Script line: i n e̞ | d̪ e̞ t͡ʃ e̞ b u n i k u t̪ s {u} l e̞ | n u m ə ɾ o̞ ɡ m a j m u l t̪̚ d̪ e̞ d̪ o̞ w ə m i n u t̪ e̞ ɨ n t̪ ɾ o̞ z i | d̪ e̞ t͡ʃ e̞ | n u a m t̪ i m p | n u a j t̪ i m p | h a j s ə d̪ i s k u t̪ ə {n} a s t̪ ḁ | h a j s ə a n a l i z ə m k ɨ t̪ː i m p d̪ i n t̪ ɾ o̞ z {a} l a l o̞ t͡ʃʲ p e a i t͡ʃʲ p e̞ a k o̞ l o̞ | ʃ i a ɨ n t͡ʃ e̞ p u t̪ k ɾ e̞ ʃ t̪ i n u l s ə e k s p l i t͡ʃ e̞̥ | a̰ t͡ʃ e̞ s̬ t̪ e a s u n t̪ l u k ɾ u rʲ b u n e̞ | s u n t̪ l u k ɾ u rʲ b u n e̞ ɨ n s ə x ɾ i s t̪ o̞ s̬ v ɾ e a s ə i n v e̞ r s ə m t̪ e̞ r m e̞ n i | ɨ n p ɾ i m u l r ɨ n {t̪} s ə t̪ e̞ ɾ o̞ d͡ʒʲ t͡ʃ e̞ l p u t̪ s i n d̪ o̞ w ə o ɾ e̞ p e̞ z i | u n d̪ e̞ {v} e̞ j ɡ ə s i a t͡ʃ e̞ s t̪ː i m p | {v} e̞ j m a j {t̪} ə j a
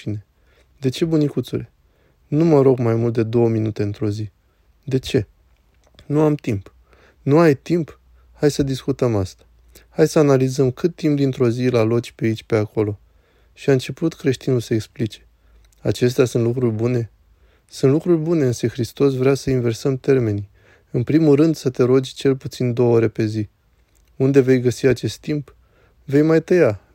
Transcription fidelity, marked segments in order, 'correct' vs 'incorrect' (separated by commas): correct, incorrect, incorrect, incorrect, correct, correct, correct